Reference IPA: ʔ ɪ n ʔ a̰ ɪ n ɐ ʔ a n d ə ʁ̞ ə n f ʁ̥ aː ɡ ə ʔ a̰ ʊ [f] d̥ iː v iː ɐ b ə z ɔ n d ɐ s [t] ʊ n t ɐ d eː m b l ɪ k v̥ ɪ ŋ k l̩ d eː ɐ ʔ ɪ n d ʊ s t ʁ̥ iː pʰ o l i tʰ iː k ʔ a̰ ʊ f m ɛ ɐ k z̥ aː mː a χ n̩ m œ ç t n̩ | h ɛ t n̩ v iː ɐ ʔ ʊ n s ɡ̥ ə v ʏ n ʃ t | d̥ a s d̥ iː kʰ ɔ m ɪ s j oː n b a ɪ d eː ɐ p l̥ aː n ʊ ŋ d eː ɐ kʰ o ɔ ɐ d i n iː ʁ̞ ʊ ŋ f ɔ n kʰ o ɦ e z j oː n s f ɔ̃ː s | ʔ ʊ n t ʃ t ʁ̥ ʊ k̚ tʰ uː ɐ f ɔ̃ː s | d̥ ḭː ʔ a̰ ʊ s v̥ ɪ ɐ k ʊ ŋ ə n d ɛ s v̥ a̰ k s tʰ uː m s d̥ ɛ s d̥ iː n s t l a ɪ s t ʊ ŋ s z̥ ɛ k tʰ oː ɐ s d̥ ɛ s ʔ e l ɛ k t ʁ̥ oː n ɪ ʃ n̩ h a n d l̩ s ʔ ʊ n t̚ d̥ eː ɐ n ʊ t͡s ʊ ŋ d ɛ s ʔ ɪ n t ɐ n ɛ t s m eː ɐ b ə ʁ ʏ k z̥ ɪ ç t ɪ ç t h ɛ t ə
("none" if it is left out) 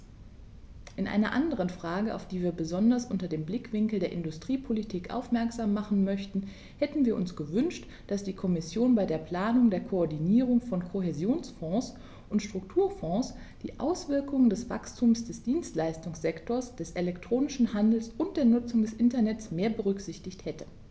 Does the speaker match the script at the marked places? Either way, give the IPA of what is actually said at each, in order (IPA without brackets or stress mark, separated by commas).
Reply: f, ʔ